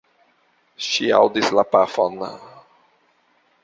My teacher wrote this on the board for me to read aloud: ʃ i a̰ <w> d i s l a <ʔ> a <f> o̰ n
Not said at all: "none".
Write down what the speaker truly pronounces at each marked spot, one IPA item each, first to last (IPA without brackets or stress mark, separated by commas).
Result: w, p, f